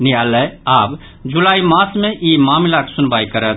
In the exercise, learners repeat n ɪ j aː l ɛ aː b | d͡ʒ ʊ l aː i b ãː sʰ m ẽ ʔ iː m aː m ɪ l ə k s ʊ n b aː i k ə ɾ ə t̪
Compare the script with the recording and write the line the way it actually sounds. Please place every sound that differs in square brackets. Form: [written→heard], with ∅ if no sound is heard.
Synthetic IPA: n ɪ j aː l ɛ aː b | d͡ʒ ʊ l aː i [b→m] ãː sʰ m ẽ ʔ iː m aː m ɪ l [ə→a] k s ʊ n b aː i k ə ɾ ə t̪